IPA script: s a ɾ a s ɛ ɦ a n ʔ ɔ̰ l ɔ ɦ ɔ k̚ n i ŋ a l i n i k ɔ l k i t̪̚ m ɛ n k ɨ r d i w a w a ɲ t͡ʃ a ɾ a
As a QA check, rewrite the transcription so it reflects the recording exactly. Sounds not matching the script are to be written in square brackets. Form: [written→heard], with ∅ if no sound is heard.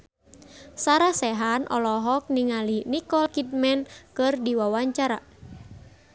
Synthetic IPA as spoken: s a ɾ a s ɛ ɦ a n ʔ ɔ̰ l ɔ ɦ ɔ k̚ n i ŋ a l i n i k ɔ l k i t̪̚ m ɛ n k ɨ r d i w a w a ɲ t͡ʃ a ɾ a